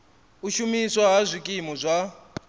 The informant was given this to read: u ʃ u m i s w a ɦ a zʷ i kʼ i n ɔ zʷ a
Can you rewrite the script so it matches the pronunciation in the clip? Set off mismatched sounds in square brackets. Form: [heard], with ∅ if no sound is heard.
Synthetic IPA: u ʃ u m i s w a ɦ a zʷ i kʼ i [m] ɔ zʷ a